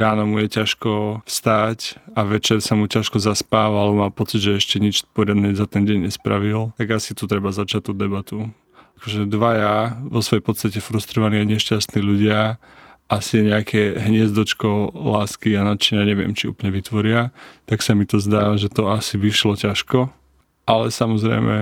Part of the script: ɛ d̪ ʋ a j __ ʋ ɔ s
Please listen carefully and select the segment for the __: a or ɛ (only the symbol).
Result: a